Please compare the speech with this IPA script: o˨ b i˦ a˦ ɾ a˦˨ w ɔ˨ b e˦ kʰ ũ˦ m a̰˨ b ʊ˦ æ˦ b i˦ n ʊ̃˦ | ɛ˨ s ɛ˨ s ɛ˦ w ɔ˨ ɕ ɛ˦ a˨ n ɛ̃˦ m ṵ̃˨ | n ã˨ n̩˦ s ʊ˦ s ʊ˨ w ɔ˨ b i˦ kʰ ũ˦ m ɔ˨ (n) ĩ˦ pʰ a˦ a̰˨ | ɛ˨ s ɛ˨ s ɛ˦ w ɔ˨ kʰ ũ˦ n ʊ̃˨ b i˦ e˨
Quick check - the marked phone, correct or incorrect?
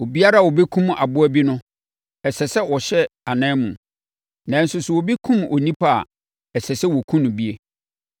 correct